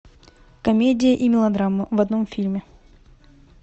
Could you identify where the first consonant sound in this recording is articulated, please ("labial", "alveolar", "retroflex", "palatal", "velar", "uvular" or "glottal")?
velar